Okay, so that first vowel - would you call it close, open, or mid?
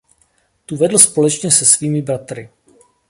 close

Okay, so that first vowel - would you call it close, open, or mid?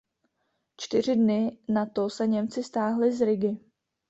close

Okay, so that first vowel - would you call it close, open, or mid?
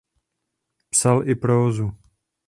open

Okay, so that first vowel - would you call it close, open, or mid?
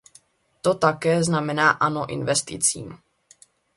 mid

